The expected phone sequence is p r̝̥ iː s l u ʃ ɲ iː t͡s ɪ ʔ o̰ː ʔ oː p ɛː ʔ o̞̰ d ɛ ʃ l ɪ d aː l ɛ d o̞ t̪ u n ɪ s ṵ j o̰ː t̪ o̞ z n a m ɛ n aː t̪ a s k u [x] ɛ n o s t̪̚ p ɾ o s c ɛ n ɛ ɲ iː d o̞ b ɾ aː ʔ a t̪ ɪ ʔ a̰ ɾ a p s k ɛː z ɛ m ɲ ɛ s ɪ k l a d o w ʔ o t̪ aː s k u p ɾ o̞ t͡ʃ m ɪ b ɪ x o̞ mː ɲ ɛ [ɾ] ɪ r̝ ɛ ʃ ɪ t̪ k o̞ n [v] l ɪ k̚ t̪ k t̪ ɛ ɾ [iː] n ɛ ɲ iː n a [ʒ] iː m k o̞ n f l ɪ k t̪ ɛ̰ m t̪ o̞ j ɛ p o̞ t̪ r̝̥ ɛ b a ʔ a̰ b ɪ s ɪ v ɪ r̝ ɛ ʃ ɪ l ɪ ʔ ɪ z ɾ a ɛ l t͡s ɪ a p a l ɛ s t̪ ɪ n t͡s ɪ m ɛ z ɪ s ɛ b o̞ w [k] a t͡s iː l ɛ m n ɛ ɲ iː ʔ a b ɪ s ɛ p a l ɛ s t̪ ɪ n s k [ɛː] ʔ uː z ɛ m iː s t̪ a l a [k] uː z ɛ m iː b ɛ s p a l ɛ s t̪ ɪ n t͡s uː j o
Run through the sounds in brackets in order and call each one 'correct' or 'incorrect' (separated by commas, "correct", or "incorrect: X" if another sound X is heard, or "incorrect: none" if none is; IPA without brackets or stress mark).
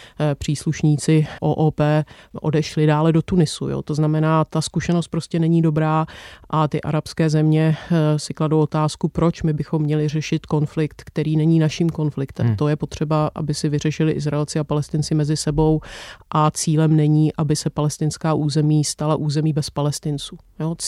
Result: incorrect: ʃ, incorrect: l, incorrect: f, correct, incorrect: ʃ, incorrect: ʔ, incorrect: aː, incorrect: ʔ